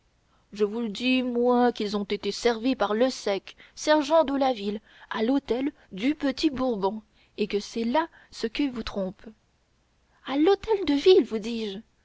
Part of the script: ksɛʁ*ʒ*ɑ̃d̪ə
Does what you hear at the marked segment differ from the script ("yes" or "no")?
no